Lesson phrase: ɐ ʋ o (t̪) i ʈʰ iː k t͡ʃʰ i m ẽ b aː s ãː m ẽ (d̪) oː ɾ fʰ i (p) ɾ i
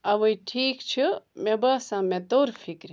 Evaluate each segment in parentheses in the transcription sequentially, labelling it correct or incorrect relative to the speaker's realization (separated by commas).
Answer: incorrect, incorrect, incorrect